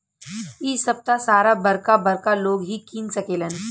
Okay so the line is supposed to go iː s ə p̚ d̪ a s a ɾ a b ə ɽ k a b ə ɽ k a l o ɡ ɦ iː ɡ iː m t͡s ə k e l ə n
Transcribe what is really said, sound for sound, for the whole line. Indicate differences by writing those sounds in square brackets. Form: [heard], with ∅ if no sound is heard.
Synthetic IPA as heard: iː s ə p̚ [t̪] a s a ɾ a b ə [ɾ] k a b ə [ɾ] k a l o ɡ ɦ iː [k] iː [n] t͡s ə k e l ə n